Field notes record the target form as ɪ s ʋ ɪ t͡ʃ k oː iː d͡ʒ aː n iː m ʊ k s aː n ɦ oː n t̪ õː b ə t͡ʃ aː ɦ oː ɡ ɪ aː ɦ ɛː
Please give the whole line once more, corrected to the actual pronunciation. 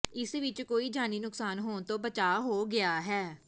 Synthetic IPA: ɪ s ʋ ɪ t͡ʃ k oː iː d͡ʒ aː n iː n ʊ k s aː n ɦ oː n t̪ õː b ə t͡ʃ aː ɦ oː ɡ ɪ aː ɦ ɛː

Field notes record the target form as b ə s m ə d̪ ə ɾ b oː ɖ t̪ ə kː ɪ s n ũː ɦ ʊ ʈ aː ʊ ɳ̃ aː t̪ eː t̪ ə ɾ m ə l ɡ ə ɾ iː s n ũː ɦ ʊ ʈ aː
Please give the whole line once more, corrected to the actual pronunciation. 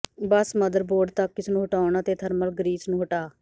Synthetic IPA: b ə s m ə d̪ ə ɾ b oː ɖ t̪ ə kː ɪ s n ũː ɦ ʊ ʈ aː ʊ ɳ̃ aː t̪ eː t̪ʰ ə ɾ m ə l ɡ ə ɾ iː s n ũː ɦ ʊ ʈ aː

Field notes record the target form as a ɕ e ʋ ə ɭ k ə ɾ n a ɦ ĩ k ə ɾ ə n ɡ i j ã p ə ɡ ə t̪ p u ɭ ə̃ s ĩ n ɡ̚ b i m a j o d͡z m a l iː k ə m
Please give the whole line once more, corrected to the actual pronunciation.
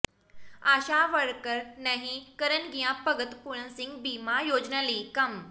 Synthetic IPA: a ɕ a ʋ ə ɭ k ə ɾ n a ɦ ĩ k ə ɾ ə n ɡ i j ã p ə ɡ ə t̪ p u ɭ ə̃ s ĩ ŋ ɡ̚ b i m a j o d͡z n a l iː k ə m

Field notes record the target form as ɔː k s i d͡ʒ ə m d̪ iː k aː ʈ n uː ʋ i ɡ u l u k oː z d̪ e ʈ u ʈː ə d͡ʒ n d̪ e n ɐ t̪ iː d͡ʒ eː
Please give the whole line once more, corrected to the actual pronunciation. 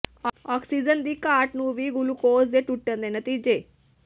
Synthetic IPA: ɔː k s i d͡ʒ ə n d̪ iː k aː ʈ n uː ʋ i ɡ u l u k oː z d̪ e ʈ u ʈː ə n d̪ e n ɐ t̪ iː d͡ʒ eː

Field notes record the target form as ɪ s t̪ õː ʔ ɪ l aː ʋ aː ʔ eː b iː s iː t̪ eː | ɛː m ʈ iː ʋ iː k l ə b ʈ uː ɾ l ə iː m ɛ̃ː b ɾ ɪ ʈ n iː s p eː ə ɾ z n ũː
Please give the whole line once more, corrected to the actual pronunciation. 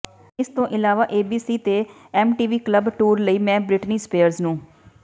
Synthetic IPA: ɪ s t̪ õː ʔ ɪ l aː ʋ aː ʔ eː b iː s iː t̪ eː | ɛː m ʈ iː ʋ iː k l ə b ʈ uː ɾ l ə iː m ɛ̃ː b ɾ ɪ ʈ n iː s p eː ə ɾ z n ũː

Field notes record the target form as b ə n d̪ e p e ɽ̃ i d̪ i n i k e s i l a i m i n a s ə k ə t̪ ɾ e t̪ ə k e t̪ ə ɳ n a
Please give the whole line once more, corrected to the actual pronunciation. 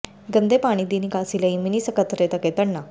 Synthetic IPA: ɡ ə n d̪ e p a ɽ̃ i d̪ i n i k a s i l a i m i n i s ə k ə t̪ ɾ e t̪ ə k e t̪ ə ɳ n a

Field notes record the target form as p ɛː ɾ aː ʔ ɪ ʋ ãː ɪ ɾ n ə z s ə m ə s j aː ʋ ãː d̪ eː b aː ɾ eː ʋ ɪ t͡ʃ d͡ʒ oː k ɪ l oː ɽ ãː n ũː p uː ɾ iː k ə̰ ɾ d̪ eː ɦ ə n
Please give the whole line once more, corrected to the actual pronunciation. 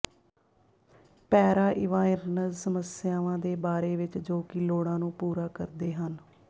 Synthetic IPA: p ɛː ɾ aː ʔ ɪ ʋ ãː ɪ ɾ n ə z s ə m ə s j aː ʋ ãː d̪ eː b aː ɾ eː ʋ ɪ t͡ʃ d͡ʒ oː k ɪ l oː ɽ ãː n ũː p uː ɾ aː k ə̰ ɾ d̪ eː ɦ ə n

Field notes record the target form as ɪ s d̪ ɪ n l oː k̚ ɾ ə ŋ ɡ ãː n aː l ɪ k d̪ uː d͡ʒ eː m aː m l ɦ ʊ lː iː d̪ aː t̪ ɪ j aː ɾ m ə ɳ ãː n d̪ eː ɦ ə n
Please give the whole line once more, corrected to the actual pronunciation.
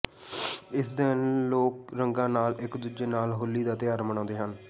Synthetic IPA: ɪ s d̪ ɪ n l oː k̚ ɾ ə ŋ ɡ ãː n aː l ɪ k d̪ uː d͡ʒ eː n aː l ɦ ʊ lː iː d̪ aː t̪ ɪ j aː ɾ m ə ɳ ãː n d̪ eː ɦ ə n

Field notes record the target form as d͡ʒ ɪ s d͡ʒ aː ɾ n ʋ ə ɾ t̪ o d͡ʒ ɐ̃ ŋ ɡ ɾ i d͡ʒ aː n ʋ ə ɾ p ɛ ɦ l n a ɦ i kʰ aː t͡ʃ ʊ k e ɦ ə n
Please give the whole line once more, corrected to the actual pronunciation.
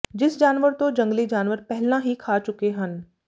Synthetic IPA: d͡ʒ ɪ s d͡ʒ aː n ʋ ə ɾ t̪ o d͡ʒ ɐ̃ ŋ ɡ l i d͡ʒ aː n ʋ ə ɾ p ɛ ɦ l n a ɦ i kʰ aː t͡ʃ ʊ k e ɦ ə n

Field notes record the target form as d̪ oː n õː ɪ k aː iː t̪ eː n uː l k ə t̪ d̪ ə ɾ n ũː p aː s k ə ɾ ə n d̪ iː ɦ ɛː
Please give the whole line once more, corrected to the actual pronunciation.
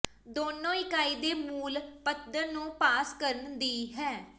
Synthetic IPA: d̪ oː n õː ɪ k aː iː d̪ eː m uː l p ə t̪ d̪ ə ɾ n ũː p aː s k ə ɾ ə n d̪ iː ɦ ɛː

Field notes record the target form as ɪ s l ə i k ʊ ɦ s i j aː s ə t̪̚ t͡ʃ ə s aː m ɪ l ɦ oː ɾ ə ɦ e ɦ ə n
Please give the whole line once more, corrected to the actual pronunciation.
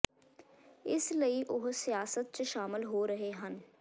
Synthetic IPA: ɪ s l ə i ʔ ʊ ɦ s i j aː s ə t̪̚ t͡ʃ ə ʃ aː m ɪ l ɦ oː ɾ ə ɦ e ɦ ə n

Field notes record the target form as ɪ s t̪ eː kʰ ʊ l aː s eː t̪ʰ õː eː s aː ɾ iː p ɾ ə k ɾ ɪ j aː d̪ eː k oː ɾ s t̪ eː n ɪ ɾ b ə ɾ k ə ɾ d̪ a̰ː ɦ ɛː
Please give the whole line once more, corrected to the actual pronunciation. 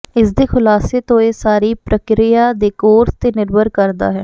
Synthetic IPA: ɪ s d̪ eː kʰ ʊ l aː s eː t̪ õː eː s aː ɾ iː p ɾ ə k ɾ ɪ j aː d̪ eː k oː ɾ s t̪ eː n ɪ ɾ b ə ɾ k ə ɾ d̪ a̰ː ɦ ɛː

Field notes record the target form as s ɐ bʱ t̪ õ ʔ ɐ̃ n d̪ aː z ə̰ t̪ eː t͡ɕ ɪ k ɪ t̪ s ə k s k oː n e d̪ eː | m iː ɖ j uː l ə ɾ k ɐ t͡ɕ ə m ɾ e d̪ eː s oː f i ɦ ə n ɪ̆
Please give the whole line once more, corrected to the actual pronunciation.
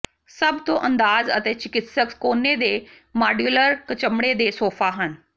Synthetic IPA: s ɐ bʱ t̪ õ ʔ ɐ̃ n d̪ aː z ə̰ t̪ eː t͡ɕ ɪ k ɪ t̪ s ə k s k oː n e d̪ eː | m aː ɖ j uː l ə ɾ k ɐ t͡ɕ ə m ɽ e d̪ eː s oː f a ɦ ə n ɪ̆

